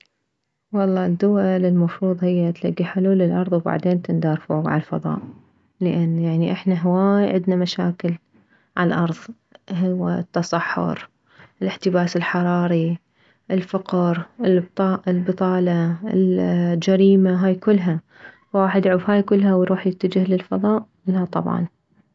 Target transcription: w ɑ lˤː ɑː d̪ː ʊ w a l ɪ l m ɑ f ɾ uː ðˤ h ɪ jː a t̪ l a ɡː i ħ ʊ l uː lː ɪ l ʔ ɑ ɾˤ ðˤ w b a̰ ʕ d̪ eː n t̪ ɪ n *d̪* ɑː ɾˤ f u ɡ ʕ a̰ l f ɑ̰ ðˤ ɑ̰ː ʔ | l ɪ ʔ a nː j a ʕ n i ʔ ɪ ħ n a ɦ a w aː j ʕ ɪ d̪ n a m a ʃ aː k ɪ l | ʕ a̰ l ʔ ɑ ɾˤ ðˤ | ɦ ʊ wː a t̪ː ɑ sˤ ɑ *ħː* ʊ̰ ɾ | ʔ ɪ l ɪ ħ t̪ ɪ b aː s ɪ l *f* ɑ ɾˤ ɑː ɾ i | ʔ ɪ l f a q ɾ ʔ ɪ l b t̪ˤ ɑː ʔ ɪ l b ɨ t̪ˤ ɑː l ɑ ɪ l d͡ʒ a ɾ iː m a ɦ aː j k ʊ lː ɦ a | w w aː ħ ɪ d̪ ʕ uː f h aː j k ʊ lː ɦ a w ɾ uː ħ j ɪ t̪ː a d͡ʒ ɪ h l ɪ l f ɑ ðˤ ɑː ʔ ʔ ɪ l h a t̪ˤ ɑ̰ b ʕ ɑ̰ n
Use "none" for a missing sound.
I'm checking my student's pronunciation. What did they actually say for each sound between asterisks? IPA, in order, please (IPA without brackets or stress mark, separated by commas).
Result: d̪, ħː, ħ